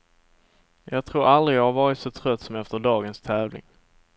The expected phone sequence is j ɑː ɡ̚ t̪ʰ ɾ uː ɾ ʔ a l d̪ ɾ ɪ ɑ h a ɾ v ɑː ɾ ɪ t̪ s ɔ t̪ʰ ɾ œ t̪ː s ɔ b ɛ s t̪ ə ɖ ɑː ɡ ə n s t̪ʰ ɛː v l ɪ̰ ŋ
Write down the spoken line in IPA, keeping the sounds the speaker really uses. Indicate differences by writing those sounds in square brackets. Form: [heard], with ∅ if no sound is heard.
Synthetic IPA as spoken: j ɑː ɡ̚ t̪ʰ ɾ uː ɾ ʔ a l d̪ ɾ ɪ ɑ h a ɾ v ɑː ɾ ɪ t̪ s ɔ t̪ʰ ɾ œ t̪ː s ɔ [m] ɛ [f] t̪ ə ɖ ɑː ɡ ə n s t̪ʰ ɛː v l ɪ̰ ŋ